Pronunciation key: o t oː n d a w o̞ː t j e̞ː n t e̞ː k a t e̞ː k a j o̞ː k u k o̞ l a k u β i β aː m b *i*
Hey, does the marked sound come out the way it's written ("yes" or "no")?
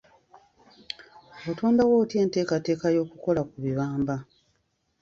no